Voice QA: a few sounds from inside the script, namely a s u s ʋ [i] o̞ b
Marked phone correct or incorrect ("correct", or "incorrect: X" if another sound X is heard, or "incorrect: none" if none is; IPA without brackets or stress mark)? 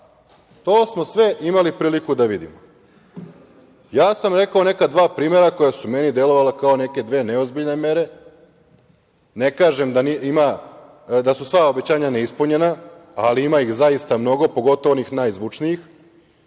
incorrect: a